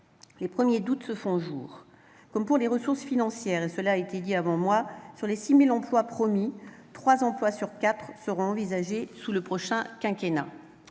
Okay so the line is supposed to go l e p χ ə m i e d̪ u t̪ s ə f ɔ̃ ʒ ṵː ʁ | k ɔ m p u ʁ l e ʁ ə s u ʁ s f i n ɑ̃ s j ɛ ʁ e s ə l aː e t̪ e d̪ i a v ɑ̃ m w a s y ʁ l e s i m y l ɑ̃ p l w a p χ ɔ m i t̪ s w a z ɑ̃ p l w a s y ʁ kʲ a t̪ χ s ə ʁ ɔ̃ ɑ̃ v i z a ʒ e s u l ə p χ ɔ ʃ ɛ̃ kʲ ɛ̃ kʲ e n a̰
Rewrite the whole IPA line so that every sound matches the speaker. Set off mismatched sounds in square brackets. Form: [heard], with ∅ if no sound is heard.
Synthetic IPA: l e p χ ə m [j] e d̪ u t̪ s ə f ɔ̃ ʒ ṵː ʁ | k ɔ m p u ʁ l e ʁ ə s u ʁ s f i n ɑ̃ s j ɛ ʁ e s ə l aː e t̪ e d̪ i a v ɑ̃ m w a s y ʁ l e s i m [i] l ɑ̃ p l w a p χ ɔ m i t̪ [χ] w a z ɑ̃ p l w a s y ʁ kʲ a t̪ χ s ə ʁ ɔ̃ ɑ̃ v i z a ʒ e s u l ə p χ ɔ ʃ ɛ̃ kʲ ɛ̃ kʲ e n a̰